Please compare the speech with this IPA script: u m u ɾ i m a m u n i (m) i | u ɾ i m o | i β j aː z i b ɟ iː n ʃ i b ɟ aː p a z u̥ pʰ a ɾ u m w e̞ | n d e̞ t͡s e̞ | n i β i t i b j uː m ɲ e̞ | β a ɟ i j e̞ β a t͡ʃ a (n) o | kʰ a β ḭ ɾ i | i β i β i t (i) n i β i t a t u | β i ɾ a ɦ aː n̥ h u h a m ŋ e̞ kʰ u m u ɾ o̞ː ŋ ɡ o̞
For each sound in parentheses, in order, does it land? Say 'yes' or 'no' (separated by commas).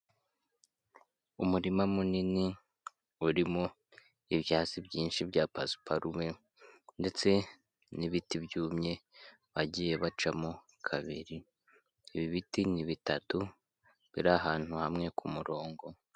no, no, yes